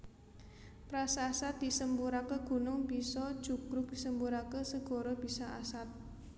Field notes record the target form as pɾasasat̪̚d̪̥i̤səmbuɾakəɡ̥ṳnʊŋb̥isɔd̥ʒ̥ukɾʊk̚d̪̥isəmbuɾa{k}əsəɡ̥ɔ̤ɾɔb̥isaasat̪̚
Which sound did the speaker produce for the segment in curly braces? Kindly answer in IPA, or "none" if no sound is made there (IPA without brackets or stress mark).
k